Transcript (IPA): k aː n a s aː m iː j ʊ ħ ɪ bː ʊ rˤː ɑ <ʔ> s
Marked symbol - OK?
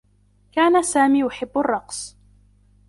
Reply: no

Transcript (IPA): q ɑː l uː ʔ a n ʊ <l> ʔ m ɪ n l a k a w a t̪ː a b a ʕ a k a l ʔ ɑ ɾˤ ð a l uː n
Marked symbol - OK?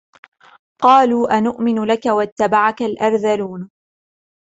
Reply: no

